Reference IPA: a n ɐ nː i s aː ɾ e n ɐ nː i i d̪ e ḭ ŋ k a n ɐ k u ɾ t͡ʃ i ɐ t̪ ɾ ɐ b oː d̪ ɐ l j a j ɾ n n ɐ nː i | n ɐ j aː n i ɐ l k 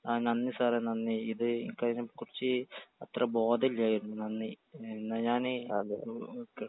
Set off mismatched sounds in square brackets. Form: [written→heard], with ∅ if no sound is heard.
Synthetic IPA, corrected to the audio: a n ɐ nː i s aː ɾ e n ɐ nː i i d̪ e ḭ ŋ k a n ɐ k u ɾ t͡ʃ i ɐ t̪ ɾ ɐ b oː d̪ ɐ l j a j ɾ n n ɐ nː i | n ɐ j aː n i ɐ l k

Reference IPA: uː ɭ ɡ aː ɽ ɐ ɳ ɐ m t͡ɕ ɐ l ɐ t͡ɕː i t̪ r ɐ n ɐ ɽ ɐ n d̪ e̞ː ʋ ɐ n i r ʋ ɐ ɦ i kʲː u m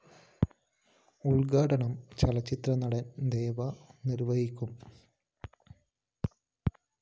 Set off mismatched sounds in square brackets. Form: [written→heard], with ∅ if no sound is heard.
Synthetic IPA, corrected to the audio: [uː→u] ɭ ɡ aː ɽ ɐ ɳ ɐ m t͡ɕ ɐ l ɐ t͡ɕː i t̪ r ɐ n ɐ ɽ ɐ n d̪ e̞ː ʋ ɐ n i [r→ɾ] ʋ ɐ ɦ i kʲː u m

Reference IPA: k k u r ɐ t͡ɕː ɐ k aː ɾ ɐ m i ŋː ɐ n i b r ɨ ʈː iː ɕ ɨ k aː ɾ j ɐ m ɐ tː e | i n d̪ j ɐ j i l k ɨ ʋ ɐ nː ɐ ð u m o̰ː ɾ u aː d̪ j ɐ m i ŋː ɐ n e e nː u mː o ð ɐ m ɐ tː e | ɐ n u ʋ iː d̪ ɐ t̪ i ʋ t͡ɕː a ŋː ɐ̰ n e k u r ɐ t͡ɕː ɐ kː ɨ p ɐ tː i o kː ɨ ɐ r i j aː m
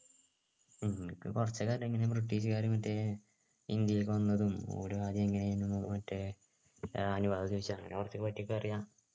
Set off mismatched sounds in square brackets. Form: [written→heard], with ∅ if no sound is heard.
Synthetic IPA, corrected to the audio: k k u r ɐ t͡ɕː ɐ k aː ɾ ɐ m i ŋː ɐ n [i→e] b r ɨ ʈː iː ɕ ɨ k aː ɾ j ɐ m ɐ tː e | i n d̪ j ɐ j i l k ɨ ʋ ɐ nː ɐ ð u m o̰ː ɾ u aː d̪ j ɐ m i ŋː ɐ n e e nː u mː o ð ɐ m ɐ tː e | ɐ n u ʋ [iː→aː] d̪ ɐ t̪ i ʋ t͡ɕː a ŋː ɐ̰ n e k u r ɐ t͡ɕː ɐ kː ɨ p ɐ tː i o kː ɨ ɐ r i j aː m

